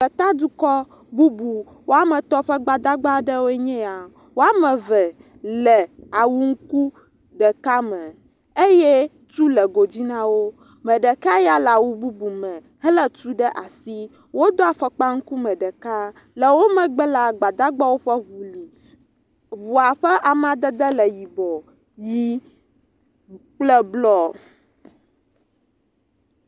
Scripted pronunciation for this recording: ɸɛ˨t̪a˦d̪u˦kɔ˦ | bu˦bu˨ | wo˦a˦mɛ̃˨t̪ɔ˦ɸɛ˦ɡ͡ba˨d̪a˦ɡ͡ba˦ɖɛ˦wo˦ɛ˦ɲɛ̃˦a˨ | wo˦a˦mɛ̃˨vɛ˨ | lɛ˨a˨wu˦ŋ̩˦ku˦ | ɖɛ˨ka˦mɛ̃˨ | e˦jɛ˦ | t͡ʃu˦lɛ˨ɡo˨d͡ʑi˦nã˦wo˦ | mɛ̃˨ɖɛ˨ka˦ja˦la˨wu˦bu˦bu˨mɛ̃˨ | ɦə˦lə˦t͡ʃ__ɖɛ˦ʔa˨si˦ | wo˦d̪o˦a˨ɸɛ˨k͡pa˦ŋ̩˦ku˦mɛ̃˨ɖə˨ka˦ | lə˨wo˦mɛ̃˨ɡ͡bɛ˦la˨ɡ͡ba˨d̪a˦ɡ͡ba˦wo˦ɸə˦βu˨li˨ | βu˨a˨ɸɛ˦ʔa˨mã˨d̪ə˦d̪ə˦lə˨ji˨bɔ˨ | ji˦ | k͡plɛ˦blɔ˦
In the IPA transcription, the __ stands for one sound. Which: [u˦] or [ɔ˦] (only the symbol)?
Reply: u˦